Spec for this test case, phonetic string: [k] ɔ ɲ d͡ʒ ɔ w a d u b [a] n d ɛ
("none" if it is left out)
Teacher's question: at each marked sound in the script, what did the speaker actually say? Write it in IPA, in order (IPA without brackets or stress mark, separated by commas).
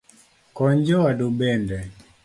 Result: k, ɛ